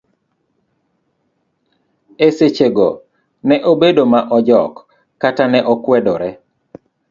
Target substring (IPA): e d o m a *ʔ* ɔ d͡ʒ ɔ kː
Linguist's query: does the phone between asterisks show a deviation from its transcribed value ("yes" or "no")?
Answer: no